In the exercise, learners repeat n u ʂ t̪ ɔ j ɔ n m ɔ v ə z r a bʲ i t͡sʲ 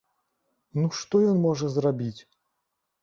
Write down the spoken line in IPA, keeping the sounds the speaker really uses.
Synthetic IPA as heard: n u ʂ t̪ ɔ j ɔ n m ɔ ʐ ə z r a bʲ i t͡sʲ